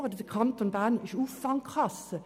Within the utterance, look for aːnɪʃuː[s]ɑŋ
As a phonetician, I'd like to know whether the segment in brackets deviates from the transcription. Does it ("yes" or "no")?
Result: yes